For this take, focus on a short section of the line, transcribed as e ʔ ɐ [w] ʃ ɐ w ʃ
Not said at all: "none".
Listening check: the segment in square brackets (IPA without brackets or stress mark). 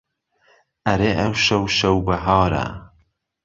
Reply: w